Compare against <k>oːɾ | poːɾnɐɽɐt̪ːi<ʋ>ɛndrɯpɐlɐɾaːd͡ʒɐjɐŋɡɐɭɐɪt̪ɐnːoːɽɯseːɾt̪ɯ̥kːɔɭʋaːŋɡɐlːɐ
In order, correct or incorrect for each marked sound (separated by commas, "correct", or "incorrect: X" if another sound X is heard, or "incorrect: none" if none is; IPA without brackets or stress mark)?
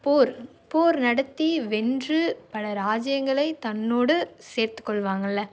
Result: incorrect: p, correct